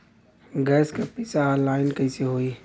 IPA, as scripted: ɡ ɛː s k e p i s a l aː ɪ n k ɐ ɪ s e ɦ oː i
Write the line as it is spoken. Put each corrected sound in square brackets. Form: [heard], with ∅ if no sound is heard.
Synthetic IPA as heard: ɡ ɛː s k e p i s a l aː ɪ n k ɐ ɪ s e ɦ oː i